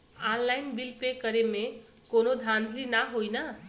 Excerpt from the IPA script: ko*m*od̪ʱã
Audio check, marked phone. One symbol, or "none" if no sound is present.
n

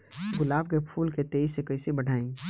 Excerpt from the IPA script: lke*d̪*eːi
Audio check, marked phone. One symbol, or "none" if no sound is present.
t̪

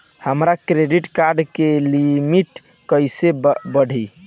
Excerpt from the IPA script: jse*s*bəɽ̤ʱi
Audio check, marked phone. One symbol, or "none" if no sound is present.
none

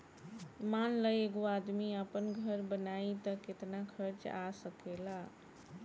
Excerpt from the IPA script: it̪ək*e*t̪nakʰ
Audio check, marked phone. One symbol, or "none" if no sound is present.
e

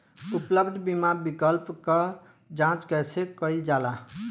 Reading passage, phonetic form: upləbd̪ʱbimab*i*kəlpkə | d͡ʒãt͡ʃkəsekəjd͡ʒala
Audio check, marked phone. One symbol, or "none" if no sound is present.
i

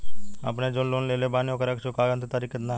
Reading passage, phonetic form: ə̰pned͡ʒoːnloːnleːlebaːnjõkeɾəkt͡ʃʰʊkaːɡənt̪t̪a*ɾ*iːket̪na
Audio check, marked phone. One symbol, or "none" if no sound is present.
ɾ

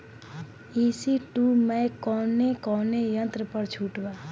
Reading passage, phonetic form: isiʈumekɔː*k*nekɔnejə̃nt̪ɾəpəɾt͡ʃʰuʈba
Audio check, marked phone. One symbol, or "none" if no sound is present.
none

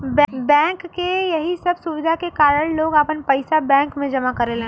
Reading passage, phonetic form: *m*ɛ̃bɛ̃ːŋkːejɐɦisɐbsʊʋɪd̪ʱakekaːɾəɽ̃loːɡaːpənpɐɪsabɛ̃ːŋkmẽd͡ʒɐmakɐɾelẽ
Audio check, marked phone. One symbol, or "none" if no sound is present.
b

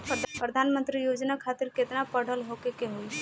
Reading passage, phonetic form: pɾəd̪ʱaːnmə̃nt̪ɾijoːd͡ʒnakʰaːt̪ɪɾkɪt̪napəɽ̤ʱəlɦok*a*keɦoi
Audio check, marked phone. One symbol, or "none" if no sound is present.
e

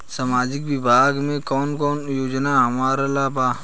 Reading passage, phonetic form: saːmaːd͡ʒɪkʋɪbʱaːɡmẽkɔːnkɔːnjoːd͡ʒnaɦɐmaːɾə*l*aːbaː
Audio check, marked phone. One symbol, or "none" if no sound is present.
l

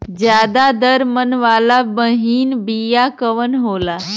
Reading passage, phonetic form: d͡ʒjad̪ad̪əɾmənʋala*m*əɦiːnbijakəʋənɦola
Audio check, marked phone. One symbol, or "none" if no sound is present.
b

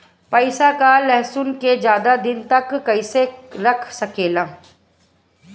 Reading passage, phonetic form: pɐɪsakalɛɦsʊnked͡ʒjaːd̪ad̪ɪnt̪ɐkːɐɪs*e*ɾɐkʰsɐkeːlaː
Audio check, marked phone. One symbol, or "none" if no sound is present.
e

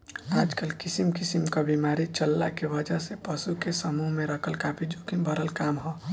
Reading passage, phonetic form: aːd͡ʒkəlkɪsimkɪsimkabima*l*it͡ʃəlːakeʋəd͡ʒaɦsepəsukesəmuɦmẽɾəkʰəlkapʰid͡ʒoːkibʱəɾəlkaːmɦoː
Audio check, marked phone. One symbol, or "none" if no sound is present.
ɾ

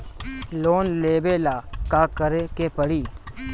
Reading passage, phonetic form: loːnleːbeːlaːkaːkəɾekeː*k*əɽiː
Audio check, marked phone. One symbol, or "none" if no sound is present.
p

